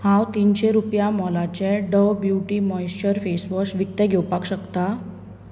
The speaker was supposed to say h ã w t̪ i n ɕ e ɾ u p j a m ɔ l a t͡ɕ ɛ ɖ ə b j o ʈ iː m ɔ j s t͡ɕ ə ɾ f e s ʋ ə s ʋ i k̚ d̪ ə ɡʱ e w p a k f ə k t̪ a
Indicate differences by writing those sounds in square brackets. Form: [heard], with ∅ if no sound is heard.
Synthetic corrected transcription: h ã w t̪ i n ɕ e ɾ u p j a m ɔ l a t͡ɕ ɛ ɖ ə b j [u] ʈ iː m ɔ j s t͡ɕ ə ɾ f e s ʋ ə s ʋ i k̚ [t̪] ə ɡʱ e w p a k [ɕ] ə k t̪ a